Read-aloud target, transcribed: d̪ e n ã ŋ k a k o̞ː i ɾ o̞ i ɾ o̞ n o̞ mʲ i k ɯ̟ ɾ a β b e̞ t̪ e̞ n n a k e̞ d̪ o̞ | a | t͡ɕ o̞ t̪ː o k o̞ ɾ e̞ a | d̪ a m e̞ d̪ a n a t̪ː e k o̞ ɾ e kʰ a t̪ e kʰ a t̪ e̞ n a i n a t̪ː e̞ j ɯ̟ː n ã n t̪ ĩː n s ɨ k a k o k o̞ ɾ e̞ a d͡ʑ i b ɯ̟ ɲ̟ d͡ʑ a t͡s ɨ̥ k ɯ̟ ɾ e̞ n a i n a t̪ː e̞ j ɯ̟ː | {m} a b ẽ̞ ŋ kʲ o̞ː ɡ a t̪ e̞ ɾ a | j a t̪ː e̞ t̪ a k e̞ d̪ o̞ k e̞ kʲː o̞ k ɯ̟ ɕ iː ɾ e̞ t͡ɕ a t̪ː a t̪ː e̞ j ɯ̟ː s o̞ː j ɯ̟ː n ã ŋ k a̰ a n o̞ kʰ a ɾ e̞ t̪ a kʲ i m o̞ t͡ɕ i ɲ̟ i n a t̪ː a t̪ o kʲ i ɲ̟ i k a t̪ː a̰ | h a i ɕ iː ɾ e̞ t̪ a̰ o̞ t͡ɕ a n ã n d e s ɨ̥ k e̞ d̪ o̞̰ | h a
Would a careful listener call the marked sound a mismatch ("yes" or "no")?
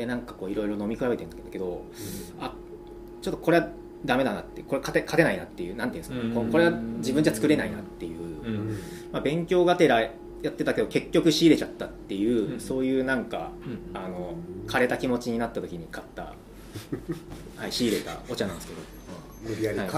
no